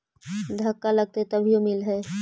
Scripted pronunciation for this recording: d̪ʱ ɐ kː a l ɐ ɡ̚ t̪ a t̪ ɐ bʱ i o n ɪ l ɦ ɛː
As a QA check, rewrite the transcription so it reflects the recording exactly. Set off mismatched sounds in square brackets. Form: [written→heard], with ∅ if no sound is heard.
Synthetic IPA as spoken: d̪ʱ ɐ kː a l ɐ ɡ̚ t̪ [a→e] t̪ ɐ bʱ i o [n→m] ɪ l ɦ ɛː